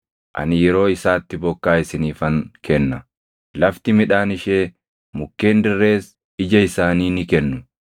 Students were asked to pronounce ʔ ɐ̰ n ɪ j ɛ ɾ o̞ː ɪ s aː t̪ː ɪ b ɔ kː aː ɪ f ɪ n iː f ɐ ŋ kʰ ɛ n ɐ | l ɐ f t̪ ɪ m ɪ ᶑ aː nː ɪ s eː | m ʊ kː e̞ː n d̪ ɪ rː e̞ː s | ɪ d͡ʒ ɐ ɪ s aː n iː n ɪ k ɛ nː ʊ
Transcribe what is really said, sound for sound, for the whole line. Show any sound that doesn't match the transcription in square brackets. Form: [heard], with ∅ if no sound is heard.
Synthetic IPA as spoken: ʔ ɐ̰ n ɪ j ɛ ɾ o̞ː ɪ s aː t̪ː ɪ b ɔ kː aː ɪ [s] ɪ n iː f ɐ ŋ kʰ ɛ [nː] ɐ | l ɐ f t̪ ɪ m ɪ ᶑ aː [n] ɪ [ʃ] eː | m ʊ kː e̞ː n d̪ ɪ rː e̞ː s | ɪ d͡ʒ ɐ ɪ s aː n iː n ɪ k ɛ nː ʊ